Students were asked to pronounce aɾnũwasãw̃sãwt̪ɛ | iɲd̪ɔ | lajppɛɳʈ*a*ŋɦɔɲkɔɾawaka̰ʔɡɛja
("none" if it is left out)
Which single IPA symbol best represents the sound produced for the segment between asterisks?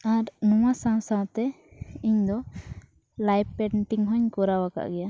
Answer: i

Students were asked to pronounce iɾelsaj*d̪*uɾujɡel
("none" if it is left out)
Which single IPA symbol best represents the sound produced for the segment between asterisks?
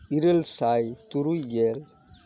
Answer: t̪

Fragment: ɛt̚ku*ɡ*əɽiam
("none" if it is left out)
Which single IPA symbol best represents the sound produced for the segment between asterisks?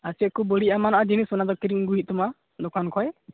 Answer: b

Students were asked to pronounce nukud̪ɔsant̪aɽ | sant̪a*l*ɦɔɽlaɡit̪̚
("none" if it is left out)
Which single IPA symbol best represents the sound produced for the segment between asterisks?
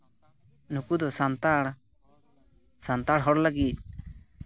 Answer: ɽ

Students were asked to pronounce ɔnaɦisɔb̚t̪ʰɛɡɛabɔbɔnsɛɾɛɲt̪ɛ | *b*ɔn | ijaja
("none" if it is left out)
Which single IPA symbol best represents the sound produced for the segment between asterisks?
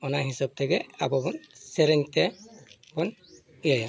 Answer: b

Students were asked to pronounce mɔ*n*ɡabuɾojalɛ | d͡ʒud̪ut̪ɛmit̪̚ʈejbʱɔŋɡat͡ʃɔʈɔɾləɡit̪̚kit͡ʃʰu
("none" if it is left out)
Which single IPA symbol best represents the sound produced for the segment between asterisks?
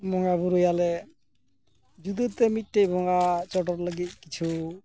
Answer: ŋ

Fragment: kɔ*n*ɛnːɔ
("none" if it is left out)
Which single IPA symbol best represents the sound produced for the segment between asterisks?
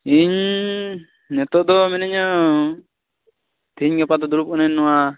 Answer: n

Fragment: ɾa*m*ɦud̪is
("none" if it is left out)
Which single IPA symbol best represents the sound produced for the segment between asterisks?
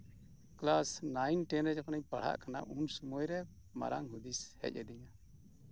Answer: ŋ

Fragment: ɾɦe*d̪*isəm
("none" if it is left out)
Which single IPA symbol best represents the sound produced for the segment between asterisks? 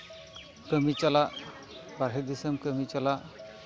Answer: d̪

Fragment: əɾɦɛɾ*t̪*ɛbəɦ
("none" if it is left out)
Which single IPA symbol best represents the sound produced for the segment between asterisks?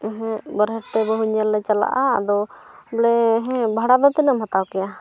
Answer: t̪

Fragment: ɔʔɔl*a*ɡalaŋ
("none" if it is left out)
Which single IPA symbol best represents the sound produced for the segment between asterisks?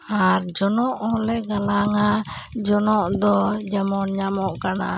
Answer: ɛ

